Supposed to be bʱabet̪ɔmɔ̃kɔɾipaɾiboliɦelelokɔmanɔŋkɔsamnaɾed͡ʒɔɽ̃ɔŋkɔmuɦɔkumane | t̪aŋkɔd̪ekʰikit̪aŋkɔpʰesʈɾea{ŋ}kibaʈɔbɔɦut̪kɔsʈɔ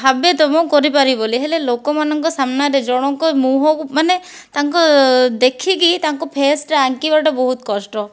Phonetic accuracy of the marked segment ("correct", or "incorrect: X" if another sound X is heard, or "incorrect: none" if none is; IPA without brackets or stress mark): correct